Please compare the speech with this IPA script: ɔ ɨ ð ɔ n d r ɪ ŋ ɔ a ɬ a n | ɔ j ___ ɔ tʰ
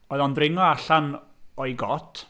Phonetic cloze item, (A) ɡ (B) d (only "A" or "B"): A